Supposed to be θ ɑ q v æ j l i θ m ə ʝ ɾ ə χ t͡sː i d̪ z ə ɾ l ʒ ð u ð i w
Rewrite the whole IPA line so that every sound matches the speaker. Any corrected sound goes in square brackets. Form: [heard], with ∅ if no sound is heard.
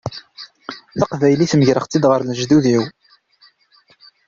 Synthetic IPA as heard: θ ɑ q v æ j l i θ m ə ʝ ɾ ə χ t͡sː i d̪ [ʁ] ə ɾ l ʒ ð u ð i w